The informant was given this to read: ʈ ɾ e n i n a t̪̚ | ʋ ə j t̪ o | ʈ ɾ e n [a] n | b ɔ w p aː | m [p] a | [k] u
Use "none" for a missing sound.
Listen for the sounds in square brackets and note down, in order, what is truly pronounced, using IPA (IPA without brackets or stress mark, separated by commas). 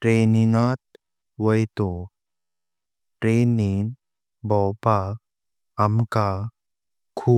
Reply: i, k, kʰ